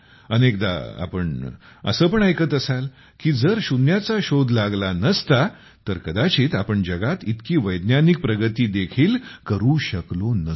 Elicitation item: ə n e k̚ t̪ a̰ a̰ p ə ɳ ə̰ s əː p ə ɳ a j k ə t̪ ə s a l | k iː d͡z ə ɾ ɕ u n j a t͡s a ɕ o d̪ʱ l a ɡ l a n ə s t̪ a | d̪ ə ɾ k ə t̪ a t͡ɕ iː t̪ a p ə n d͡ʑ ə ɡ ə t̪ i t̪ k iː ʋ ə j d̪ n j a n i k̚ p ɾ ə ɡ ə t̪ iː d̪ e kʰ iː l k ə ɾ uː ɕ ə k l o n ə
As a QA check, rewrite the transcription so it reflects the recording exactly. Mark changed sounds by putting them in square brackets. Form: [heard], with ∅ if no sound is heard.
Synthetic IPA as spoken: ə n e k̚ [d̪] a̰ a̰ p ə ɳ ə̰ s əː p ə ɳ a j k ə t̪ ə s a l | k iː d͡z ə ɾ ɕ u n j a t͡s a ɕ o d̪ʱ l a ɡ l a n ə s t̪ a | [t̪] ə ɾ k ə [d̪] a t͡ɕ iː t̪ a p ə [ɳ] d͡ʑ ə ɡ [a] t̪ i t̪ k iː ʋ ə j d̪ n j a n i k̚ p ɾ ə ɡ ə t̪ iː d̪ e kʰ iː l k ə ɾ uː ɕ ə k l o n ə